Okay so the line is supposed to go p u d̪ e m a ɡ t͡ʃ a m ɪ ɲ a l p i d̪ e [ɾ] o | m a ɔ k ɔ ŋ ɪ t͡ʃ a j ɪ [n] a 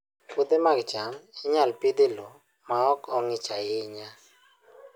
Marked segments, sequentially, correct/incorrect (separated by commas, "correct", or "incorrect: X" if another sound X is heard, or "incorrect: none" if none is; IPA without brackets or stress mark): incorrect: l, incorrect: ɲ